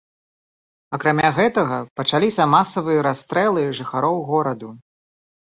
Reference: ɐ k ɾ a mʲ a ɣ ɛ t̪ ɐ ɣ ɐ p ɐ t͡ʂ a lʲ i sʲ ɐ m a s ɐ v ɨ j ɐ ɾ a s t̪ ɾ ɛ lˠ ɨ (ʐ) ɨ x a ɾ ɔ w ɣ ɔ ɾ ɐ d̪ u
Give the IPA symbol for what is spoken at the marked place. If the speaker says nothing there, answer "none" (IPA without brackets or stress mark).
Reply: ʐ